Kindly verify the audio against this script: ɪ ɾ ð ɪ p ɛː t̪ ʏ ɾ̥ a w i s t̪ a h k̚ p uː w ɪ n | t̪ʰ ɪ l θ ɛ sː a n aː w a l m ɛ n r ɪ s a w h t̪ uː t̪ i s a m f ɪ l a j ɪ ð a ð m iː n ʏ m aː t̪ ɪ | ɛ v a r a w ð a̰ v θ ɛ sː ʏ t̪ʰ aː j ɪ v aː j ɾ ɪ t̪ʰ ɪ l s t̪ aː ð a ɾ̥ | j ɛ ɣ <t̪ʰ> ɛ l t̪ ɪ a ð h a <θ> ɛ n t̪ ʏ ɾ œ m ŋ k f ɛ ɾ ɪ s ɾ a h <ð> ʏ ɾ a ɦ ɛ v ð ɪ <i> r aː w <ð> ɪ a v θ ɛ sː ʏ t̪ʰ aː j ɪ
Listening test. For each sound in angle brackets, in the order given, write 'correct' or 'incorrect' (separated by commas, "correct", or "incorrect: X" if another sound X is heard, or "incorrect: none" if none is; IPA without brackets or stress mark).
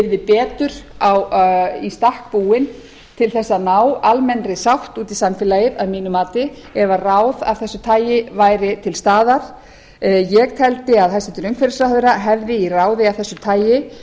correct, incorrect: s, correct, correct, correct